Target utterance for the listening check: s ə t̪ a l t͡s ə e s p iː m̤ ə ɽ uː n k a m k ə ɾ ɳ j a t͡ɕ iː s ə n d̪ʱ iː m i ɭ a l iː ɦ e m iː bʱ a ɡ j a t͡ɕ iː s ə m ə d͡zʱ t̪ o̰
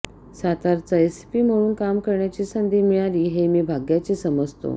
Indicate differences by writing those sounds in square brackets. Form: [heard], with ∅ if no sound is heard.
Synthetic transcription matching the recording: s [a] t̪ a [ɾ] t͡s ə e s p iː m̤ ə ɽ uː n k a m k ə ɾ ɳ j a t͡ɕ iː s ə n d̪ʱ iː m i ɭ a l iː ɦ e m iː bʱ a ɡ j a t͡ɕ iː s ə m ə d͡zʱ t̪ o̰